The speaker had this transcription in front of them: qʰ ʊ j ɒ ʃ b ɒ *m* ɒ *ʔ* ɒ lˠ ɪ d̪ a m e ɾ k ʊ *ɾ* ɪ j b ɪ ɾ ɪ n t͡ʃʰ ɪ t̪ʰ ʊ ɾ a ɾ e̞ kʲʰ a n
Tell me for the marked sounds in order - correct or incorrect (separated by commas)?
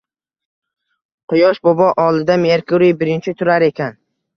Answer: incorrect, correct, correct